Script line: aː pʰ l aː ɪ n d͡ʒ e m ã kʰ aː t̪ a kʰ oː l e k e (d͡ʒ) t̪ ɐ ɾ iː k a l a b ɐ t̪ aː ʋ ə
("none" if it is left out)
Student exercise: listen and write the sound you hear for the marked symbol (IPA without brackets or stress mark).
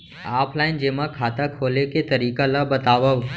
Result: none